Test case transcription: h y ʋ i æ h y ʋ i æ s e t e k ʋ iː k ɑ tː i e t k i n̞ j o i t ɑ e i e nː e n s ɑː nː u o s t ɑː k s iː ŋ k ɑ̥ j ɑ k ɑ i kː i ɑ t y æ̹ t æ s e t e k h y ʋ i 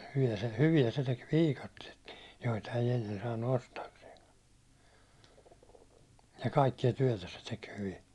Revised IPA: h y ʋ i æ h y ʋ i æ s e t e k ʋ iː k ɑ tː i e t k i n̞ j o i t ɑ e i e nː e n s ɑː nː u o s t ɑː k s eː ŋ k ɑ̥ j ɑ k ɑ i kː i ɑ t y æ̹ t æ s e t e k h y ʋ i